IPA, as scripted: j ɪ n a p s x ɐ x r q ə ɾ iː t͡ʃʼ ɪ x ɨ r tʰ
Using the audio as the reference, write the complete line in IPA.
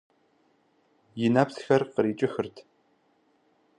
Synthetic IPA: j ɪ n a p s x ɐ r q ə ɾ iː t͡ʃʼ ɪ x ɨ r tʰ